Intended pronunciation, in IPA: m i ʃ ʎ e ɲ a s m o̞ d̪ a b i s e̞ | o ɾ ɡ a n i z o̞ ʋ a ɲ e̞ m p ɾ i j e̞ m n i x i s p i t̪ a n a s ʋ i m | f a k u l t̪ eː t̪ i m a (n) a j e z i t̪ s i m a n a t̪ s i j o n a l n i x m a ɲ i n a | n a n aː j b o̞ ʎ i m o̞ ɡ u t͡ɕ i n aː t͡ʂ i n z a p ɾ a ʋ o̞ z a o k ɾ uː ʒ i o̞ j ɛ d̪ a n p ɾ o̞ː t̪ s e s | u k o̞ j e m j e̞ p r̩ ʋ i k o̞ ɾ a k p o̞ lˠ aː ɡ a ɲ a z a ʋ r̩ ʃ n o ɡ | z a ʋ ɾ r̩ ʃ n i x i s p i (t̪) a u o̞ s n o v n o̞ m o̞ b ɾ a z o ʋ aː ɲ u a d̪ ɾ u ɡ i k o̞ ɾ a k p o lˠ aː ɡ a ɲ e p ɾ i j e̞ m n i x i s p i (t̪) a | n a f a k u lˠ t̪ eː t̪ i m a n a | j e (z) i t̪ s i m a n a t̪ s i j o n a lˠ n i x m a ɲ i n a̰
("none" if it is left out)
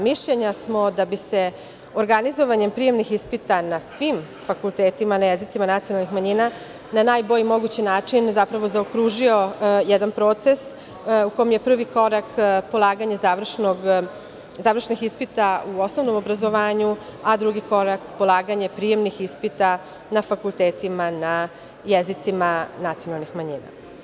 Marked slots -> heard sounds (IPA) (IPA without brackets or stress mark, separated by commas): n, t̪, t̪, z